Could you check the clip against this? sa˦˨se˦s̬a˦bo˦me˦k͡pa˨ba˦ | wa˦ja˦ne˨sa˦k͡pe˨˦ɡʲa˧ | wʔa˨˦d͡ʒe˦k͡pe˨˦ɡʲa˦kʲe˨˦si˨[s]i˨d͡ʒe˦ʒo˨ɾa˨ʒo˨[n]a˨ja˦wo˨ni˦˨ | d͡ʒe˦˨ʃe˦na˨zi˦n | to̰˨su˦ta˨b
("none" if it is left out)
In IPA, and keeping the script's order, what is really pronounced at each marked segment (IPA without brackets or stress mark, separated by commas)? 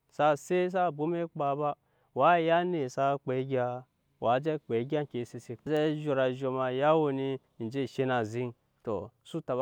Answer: s, m